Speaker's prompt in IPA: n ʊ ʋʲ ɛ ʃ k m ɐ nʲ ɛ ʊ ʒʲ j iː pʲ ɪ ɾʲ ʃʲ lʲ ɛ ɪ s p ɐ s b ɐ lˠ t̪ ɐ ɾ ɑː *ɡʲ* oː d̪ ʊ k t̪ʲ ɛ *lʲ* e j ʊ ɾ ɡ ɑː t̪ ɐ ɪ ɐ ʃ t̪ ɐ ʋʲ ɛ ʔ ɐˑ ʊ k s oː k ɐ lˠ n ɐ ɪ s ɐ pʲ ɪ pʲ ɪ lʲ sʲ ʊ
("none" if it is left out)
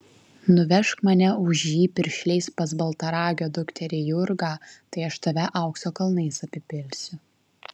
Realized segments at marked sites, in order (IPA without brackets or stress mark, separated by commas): ɡʲ, ɾʲ